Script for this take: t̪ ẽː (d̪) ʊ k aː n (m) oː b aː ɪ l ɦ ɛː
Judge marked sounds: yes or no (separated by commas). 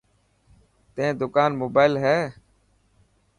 yes, yes